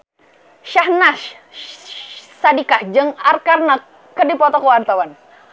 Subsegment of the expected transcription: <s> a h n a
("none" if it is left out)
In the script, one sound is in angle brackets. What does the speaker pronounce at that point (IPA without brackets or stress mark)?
ʃ